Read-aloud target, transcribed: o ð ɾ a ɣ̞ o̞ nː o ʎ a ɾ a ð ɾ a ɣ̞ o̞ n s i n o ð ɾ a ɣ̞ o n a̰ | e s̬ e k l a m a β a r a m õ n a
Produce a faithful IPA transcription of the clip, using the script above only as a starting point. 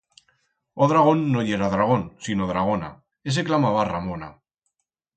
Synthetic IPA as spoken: o ð ɾ a ɣ̞ o̞ nː o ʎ e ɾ a ð ɾ a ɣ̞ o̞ n s i n o ð ɾ a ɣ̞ o n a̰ | e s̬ e k l a m a β a r a m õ n a